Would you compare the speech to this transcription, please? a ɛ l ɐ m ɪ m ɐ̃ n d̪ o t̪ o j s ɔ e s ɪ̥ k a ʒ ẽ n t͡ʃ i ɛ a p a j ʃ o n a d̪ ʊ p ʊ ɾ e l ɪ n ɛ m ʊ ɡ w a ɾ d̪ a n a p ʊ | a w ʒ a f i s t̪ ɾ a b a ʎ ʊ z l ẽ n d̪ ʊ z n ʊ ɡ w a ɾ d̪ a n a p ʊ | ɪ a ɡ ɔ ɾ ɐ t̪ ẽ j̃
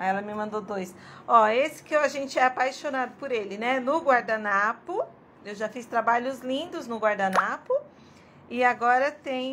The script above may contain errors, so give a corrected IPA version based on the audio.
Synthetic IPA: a ɛ l ɐ m ɪ m ɐ̃ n d̪ o d̪ o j s ɔ e s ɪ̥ k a ʒ ẽ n t͡ʃ ɪ ɛ a p a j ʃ o n a d̪ ʊ p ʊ ɾ e l ɪ n ɛ n ʊ ɡ w a ɾ d̪ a n a p ʊ | e w ʒ a f i s t̪ ɾ a b a ʎ ʊ z l ĩ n d̪ ʊ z n ʊ ɡ w a ɾ d̪ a n a p ʊ | ɪ a ɡ ɔ ɾ ɐ t̪ ẽ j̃